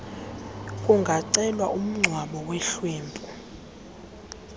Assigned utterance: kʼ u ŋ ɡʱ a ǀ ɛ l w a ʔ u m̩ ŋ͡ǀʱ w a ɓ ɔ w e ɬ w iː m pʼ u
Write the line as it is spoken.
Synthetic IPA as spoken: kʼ u ŋ ɡʱ a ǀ ɛ l w a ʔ u m̩ ŋ͡ǀʱ w a ɓ ɔ w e ɬ w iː m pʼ u